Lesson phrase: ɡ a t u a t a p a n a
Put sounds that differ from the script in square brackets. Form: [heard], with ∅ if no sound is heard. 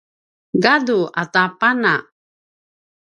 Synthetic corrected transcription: ɡ a [d] u a t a p a n a